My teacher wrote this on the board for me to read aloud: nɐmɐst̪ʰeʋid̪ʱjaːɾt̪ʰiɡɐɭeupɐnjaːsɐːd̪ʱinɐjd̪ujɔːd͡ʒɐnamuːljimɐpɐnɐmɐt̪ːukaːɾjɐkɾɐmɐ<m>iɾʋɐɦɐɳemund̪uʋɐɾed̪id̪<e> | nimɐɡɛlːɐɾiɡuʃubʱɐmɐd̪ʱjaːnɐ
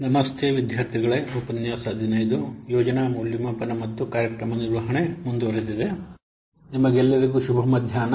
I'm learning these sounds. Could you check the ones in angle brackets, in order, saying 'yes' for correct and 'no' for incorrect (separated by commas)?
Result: no, yes